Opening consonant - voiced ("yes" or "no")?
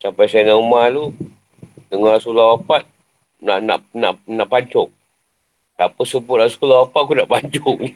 no